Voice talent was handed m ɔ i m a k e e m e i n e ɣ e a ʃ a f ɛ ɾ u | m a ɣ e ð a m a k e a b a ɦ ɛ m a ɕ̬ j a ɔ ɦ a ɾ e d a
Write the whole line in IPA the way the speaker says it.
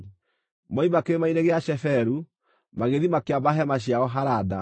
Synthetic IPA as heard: m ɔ i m a k e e m a i n e ɣ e a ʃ ɛ f ɛ ɾ u | m a ɣ e ð i m a k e a b a ɦ ɛ m a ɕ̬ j a ɔ ɦ a ɾ a d a